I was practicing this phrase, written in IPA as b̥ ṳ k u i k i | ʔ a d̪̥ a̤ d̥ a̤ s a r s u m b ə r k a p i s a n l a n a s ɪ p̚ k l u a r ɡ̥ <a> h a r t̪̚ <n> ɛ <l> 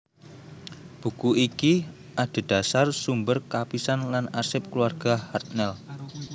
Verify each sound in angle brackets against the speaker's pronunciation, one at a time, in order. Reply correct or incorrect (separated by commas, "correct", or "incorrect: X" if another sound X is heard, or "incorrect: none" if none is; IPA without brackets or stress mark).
correct, correct, correct